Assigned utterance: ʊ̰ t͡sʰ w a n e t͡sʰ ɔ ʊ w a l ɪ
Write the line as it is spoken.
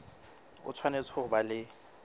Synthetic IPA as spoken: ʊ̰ t͡sʰ w a n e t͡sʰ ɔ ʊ b a l ɪ

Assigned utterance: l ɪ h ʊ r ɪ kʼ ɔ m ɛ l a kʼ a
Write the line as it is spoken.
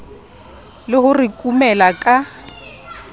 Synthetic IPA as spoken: l ɪ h ʊ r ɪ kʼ u m ɛ l a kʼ a

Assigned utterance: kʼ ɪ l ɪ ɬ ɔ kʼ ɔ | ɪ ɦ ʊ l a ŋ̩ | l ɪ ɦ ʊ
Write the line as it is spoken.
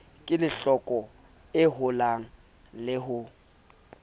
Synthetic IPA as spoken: kʼ ɪ l ɪ ɬ ɔ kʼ ɔ | ɪ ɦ ʊ l a ŋ̩ | l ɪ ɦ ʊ

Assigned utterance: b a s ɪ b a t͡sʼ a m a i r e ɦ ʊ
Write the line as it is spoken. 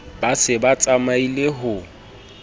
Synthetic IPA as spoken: b a s ɪ b a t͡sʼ a m a i l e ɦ ʊ

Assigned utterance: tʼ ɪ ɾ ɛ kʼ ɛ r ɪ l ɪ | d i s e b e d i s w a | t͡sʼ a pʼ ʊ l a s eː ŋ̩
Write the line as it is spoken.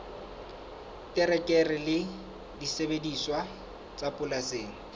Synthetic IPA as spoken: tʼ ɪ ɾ ɛ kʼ ɛ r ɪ l ɪ | d i s e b e d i s w a | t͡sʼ a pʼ ʊ l a s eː ŋ̩

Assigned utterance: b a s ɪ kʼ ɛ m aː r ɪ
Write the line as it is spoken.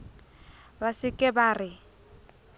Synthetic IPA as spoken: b a s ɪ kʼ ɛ b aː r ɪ

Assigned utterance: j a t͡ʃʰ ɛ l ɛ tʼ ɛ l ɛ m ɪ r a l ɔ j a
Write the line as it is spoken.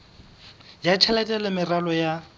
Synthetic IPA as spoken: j a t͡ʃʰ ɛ l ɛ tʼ ɛ l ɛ m ɪ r a l ɔ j a

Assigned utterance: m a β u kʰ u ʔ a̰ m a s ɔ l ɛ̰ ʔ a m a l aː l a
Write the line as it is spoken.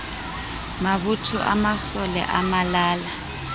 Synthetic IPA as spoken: m a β u tʰ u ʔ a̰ m a s ɔ l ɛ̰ ʔ a m a l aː l a

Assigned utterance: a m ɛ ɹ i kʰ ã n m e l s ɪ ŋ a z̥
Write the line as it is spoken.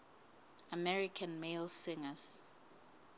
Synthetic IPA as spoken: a m ɛ ɹ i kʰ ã n m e l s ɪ ŋ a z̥

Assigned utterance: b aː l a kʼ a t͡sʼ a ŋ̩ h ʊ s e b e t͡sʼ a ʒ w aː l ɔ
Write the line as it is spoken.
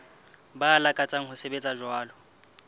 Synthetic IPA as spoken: b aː l a kʼ a t͡sʼ a ŋ̩ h ʊ s e b e t͡sʼ a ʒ w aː l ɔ

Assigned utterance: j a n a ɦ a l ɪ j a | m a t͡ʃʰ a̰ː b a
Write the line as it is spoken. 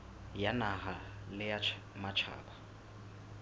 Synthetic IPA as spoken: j a n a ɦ a l ɪ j a | m a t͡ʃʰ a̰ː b a

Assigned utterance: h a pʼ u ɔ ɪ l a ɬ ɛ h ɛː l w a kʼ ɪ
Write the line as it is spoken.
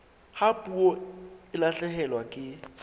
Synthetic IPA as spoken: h a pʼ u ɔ ɪ l a ɬ ɛ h ɛ l w a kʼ ɪ

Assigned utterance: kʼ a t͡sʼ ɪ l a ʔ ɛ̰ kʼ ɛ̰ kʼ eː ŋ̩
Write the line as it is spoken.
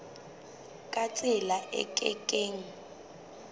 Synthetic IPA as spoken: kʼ a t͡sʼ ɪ l a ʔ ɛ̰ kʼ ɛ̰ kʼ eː ŋ̩

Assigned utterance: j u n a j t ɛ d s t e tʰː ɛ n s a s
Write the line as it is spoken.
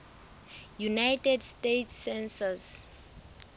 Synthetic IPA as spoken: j u n a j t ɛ d s t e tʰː ɛ n s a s

